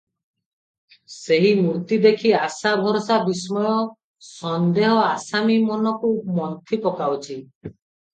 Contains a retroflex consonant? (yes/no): no